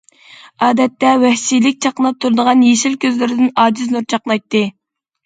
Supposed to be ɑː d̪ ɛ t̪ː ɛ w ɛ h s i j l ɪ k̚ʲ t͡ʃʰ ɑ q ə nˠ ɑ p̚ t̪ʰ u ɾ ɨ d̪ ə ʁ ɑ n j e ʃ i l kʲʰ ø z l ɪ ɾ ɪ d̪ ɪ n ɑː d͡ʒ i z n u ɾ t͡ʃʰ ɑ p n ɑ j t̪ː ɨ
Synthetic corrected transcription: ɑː d̪ ɛ t̪ː ɛ w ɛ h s i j l ɪ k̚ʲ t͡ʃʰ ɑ q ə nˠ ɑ p̚ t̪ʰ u ɾ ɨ d̪ ə ʁ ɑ n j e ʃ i l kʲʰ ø z l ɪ ɾ ɪ d̪ ɪ n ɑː d͡ʒ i z n u ɾ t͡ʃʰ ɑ q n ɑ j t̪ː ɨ